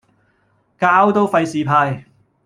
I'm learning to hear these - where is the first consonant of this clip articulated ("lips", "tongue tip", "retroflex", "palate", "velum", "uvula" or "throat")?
velum